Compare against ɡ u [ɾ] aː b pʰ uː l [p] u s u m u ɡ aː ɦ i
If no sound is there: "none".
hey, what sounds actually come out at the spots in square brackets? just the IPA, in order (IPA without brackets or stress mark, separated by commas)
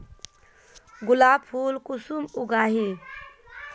l, k